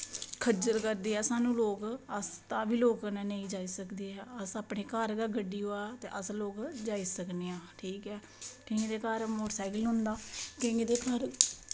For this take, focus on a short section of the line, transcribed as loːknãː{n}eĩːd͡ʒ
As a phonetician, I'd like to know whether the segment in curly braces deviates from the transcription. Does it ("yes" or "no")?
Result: no